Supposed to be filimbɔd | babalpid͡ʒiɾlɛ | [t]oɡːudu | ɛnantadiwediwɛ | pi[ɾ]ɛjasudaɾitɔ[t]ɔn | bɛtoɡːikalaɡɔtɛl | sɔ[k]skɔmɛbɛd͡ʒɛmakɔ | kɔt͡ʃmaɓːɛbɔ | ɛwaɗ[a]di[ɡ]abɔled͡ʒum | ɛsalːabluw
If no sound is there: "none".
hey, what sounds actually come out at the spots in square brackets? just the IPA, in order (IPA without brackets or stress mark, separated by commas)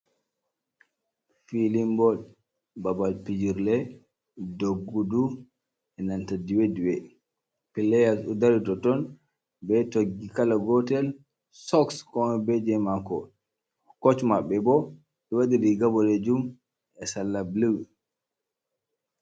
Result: d, l, t, k, i, ɡ